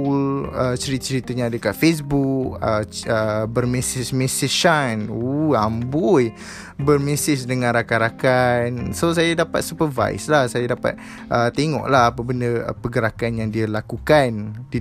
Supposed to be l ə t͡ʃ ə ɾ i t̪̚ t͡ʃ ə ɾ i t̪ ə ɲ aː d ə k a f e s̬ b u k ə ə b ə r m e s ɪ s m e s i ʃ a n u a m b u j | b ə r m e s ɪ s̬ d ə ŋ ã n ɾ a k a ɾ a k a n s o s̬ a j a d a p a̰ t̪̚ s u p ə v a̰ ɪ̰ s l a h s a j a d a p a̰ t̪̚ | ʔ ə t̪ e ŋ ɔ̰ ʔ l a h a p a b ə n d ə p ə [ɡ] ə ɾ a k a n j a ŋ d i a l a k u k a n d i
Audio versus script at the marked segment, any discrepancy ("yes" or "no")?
no